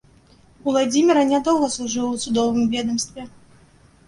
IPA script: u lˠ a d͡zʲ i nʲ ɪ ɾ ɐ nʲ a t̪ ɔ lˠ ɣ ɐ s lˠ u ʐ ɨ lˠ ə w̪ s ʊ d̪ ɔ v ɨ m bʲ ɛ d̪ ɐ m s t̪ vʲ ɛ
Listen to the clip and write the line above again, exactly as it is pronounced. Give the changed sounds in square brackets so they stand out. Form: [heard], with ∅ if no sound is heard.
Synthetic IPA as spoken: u lˠ a d͡zʲ i [mʲ] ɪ ɾ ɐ nʲ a [d̪] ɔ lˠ ɣ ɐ s lˠ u ʐ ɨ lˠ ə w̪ s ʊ d̪ ɔ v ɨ m [vʲ] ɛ d̪ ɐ m s t̪ vʲ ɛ